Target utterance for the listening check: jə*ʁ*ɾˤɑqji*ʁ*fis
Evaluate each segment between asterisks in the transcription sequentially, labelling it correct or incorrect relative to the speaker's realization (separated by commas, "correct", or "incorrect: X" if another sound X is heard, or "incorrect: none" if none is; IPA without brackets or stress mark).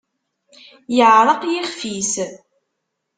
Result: incorrect: ʕ, incorrect: χ